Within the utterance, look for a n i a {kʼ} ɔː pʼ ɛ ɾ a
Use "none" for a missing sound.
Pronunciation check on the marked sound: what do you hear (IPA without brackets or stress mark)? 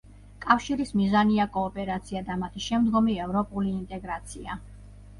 kʼ